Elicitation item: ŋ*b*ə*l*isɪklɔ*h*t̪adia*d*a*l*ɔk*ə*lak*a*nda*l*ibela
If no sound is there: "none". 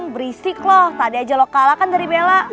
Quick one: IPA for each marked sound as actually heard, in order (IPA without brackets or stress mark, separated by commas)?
b, ɾ, h, d͡ʒ, l, a, a, ɾ